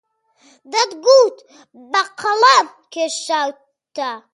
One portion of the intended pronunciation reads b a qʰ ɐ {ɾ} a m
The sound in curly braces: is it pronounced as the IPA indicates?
no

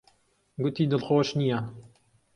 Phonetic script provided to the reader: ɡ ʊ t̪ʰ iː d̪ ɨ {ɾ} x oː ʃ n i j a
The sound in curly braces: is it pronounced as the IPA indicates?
no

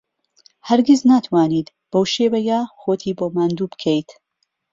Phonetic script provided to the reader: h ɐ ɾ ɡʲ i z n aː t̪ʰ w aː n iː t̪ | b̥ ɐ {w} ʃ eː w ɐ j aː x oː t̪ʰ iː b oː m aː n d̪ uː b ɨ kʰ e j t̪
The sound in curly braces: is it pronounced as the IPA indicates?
yes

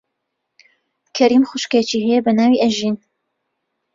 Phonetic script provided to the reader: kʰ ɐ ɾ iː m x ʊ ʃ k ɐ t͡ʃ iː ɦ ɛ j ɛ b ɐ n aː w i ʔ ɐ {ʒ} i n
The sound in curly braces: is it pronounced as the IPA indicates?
yes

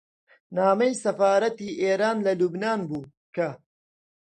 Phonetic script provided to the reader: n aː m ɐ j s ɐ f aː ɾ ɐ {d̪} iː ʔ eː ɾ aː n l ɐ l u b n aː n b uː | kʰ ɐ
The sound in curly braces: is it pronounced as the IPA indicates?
no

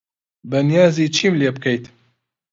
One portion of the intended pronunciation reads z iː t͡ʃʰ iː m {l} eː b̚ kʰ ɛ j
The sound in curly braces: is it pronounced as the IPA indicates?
yes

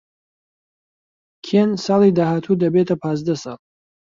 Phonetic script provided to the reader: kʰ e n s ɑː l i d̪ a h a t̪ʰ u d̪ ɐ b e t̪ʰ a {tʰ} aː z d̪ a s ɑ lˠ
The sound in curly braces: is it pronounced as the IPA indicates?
no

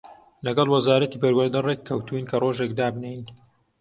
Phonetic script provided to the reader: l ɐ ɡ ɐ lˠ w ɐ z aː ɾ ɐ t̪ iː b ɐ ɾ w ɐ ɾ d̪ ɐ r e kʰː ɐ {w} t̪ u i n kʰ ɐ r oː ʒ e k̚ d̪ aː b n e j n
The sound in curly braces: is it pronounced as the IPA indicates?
yes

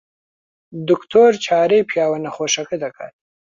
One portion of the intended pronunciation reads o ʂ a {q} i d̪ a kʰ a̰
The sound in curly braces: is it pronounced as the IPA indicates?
no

